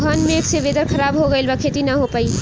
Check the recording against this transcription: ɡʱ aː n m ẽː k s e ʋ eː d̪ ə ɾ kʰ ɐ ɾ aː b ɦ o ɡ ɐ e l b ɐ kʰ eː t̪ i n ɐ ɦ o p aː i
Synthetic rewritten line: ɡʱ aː n m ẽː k s e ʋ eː d̪ ə ɾ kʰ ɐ ɾ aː b ɦ o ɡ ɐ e l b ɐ kʰ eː t̪ i n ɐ ɦ o p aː i

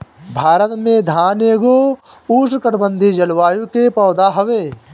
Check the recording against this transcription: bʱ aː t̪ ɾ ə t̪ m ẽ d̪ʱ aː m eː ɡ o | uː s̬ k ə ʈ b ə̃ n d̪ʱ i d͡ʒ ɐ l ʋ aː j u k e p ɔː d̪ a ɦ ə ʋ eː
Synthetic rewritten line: bʱ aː ɾ ə t̪ m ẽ d̪ʱ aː n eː ɡ o | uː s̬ k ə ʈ b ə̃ n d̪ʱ i d͡ʒ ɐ l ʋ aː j u k e p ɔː d̪ a ɦ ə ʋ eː

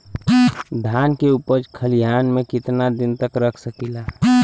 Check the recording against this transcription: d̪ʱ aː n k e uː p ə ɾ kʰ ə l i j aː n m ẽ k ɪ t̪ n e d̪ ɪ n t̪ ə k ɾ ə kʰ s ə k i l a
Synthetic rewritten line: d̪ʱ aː n k e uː p ə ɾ kʰ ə l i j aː n m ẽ k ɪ t̪ n a d̪ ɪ n t̪ ə k ɾ ə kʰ s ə k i l a

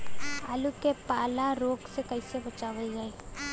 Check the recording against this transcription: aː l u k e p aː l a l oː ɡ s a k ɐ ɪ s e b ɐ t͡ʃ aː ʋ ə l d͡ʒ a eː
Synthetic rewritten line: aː l u k e p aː l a ɾ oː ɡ s e k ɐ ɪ s e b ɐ t͡ʃ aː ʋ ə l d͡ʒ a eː

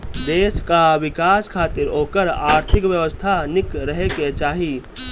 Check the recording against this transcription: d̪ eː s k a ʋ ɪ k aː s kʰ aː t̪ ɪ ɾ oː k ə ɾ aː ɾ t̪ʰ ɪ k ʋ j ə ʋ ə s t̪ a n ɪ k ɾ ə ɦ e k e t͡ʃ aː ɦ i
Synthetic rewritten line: d̪ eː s k a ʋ ɪ k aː s kʰ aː t̪ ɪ ɾ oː k ə ɾ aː ɾ t̪ʰ ɪ k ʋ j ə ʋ ə s t̪ʰ a n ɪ k ɾ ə ɦ e k e t͡ʃ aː ɦ i

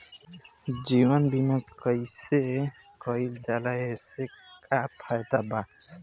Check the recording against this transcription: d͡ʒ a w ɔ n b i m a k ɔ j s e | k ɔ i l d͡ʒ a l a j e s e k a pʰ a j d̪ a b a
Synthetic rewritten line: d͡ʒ i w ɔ n b i m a k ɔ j s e | k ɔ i l d͡ʒ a l a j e s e k a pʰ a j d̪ a b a

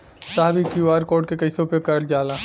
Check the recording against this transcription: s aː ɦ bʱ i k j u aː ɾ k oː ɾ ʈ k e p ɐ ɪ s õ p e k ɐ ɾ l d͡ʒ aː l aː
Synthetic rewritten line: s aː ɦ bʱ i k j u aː ɾ k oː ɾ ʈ k e k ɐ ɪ s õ p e k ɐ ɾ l d͡ʒ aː l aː

